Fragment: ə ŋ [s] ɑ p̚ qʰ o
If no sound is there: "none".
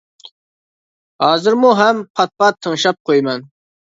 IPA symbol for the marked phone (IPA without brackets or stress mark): ʃ